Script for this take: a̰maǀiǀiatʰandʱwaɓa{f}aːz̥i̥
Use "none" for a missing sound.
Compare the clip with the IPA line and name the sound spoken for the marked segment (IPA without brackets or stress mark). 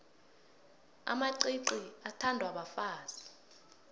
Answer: f